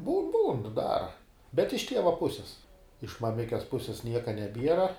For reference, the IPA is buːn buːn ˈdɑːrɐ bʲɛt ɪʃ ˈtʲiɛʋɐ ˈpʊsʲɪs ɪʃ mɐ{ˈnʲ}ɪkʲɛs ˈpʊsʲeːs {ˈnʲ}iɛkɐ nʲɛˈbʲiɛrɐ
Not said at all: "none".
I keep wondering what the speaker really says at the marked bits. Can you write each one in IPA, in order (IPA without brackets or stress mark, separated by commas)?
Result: mʲ, nʲ